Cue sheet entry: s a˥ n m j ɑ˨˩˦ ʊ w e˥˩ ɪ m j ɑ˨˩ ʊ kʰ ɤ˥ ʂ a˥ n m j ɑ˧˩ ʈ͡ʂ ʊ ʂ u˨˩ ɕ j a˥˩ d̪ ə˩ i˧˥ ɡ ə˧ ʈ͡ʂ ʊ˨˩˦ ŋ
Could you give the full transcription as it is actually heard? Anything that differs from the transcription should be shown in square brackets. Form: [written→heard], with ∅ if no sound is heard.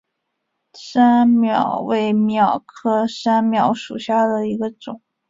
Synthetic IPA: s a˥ n m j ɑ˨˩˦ ʊ w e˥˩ ɪ m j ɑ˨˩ ʊ kʰ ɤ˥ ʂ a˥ n m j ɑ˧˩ [ʈ͡ʂ→∅] ʊ ʂ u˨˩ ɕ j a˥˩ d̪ ə˩ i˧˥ ɡ ə˧ ʈ͡ʂ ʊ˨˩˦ ŋ